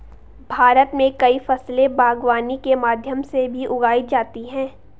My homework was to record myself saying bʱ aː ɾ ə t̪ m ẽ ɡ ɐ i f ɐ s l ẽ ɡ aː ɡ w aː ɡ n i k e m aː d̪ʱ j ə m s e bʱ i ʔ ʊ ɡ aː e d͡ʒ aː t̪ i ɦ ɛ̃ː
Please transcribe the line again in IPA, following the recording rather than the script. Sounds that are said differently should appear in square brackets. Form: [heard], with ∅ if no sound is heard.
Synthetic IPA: bʱ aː ɾ ə t̪ m ẽ [k] ɐ i f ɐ s l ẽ [b] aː ɡ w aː [∅] n i k e m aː d̪ʱ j ə m s e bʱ i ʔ ʊ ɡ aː [i] d͡ʒ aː t̪ i ɦ ɛ̃ː